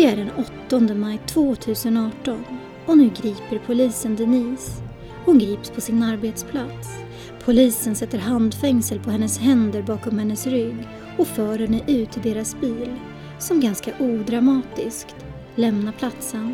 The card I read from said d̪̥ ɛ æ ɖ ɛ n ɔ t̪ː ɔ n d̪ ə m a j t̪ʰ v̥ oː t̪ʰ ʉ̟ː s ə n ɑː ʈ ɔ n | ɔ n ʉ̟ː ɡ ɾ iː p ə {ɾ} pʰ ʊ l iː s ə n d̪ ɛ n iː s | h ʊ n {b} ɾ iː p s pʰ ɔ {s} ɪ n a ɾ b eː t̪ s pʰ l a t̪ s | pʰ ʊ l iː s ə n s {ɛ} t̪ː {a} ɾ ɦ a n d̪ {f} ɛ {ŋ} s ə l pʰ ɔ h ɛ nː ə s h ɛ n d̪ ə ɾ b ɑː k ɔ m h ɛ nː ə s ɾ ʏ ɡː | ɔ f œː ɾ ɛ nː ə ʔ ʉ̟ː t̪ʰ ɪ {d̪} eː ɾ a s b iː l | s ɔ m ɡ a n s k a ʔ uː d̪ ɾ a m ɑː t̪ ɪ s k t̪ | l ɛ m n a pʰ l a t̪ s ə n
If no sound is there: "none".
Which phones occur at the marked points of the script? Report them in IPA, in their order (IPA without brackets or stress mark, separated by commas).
ɾ, ɡ, s, ɛ, ə, f, ŋ, d̪